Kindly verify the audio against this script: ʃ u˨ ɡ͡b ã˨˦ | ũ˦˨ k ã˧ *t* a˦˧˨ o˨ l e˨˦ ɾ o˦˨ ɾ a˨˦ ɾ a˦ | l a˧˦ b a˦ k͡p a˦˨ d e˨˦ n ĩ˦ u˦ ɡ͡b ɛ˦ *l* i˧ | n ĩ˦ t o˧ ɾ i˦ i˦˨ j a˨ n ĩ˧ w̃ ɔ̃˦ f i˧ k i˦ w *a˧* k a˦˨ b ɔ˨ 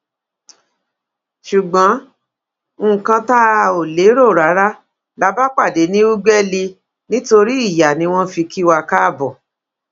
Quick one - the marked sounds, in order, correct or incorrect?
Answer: correct, correct, correct

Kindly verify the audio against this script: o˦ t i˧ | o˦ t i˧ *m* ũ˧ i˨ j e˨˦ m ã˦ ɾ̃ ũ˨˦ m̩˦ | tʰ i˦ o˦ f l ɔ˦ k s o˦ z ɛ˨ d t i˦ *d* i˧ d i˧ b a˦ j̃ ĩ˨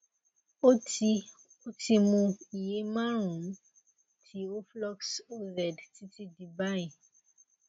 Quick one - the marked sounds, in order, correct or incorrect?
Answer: correct, incorrect

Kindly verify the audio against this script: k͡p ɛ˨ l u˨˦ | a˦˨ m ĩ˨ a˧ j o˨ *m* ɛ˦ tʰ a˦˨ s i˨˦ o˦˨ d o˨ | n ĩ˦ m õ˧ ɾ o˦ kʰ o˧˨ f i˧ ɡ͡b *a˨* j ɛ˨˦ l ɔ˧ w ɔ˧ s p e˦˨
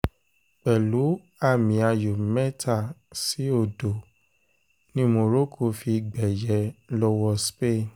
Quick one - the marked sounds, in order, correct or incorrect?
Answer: correct, incorrect

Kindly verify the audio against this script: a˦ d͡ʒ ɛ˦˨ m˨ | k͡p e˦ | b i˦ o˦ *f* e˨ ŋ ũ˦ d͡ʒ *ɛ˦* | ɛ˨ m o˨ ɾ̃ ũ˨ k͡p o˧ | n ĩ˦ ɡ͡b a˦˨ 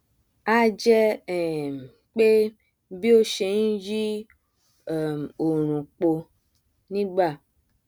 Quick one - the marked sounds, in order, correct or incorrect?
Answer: incorrect, incorrect

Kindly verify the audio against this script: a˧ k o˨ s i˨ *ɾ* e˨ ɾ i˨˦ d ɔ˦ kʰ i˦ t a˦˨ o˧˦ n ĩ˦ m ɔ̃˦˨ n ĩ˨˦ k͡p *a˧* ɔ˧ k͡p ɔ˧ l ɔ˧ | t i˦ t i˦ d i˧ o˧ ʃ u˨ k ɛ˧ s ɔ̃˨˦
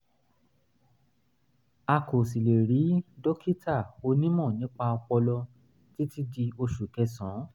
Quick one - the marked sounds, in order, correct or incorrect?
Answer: incorrect, correct

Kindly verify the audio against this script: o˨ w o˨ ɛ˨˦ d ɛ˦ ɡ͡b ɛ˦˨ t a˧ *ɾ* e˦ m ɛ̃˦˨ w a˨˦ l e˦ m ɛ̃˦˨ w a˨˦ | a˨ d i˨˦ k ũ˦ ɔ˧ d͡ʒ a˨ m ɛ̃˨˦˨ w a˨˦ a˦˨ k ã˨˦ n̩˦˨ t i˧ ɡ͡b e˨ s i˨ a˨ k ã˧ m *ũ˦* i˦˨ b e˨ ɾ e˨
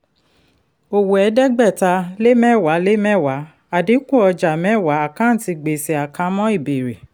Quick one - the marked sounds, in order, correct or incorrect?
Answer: incorrect, incorrect

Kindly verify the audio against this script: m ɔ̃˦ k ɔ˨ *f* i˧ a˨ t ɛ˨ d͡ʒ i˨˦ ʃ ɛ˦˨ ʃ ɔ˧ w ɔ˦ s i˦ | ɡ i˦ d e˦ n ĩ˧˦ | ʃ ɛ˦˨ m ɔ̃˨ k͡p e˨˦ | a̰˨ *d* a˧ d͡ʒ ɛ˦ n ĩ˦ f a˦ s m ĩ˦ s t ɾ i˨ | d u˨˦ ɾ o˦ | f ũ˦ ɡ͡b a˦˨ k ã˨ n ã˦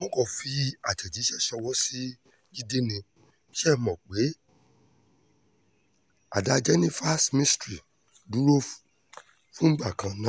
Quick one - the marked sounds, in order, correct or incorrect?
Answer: correct, correct

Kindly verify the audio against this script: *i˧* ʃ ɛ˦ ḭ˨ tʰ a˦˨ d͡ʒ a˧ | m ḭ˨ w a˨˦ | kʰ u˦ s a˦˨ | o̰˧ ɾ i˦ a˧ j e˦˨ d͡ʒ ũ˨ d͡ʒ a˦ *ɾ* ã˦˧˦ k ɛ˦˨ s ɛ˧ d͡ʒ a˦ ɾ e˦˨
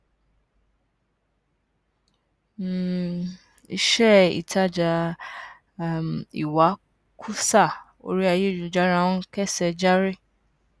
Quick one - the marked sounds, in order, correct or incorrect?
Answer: correct, correct

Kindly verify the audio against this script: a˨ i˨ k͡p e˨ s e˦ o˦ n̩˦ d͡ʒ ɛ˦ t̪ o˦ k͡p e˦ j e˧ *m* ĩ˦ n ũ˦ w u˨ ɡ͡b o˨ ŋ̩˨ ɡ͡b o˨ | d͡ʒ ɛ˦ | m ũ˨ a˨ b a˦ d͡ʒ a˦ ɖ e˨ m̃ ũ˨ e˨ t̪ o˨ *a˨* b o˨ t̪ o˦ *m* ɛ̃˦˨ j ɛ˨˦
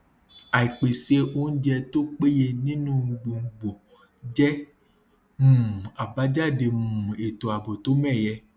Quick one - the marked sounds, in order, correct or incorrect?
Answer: incorrect, correct, correct

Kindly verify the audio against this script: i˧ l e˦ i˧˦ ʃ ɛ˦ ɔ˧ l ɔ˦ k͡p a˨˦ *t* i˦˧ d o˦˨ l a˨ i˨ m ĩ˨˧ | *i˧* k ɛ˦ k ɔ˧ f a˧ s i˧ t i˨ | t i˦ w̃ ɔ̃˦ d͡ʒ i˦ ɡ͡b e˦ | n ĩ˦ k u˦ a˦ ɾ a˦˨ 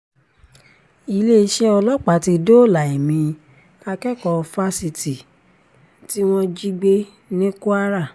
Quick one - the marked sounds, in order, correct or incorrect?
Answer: correct, incorrect

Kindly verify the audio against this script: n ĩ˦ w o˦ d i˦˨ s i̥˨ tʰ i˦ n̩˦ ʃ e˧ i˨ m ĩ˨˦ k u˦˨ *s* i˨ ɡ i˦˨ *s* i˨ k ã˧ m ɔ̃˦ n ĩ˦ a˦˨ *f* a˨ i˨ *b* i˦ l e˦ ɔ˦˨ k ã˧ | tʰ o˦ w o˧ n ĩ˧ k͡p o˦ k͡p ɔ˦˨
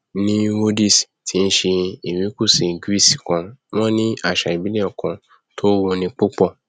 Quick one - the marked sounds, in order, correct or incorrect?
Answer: correct, correct, incorrect, correct

